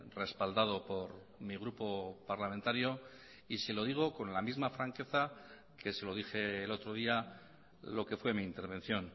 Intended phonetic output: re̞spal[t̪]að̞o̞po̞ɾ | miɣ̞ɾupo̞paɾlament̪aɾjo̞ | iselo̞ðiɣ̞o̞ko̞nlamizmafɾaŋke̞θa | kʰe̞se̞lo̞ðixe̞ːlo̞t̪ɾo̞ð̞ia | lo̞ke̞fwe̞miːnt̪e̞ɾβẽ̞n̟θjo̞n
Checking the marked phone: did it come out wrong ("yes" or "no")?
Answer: yes